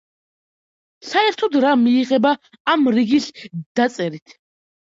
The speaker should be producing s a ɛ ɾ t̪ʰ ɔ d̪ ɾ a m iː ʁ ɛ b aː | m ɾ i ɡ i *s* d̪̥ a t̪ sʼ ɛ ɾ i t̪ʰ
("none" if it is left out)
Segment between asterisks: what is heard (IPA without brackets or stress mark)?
s